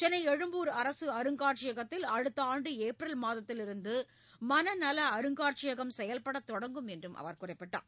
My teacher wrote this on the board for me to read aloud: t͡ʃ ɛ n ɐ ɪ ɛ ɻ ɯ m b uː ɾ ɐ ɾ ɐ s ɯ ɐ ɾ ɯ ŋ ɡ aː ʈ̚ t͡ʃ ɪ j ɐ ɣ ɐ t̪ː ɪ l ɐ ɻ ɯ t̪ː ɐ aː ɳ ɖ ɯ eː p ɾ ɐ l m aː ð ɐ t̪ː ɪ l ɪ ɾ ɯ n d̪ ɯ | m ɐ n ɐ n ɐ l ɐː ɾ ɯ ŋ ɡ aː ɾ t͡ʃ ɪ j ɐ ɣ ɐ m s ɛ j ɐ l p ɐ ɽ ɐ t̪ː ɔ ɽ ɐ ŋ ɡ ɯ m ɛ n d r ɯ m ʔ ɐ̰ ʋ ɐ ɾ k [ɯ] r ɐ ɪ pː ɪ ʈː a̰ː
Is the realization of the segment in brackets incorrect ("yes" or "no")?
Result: yes